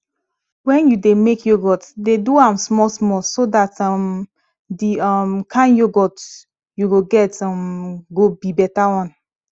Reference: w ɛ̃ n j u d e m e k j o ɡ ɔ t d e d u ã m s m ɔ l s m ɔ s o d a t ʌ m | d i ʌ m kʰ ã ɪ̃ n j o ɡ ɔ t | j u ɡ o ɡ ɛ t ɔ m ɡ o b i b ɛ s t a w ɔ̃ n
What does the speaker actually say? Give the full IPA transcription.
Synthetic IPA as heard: w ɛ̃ n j u d e m e k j o ɡ ɔ t d e d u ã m s m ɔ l s m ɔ s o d a t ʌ m | d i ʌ m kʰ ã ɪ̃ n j o ɡ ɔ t | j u ɡ o ɡ ɛ t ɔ m ɡ o b i b ɛ t a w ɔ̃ n